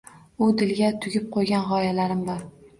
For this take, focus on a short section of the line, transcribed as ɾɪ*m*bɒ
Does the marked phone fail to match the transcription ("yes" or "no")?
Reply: no